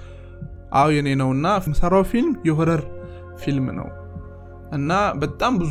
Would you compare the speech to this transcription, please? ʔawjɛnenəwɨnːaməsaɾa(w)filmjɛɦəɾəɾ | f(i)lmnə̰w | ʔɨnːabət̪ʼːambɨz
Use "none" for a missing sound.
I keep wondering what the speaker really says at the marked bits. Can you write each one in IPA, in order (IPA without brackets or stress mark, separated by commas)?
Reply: w, i